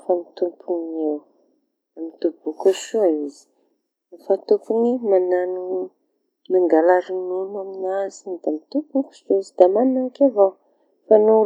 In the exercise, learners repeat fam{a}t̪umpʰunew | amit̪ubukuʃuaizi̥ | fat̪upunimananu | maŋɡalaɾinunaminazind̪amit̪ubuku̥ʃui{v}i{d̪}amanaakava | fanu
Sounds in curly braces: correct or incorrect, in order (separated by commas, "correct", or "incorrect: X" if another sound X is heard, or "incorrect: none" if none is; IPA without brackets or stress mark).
incorrect: i, incorrect: z, correct